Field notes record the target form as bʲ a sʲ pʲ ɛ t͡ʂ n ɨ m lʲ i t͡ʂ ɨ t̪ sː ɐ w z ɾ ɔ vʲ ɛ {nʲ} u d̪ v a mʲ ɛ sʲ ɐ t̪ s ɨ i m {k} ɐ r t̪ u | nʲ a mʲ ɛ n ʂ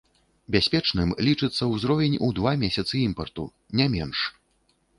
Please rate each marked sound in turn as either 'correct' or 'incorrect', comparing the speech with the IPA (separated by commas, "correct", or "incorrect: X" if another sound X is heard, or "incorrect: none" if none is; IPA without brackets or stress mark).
correct, incorrect: p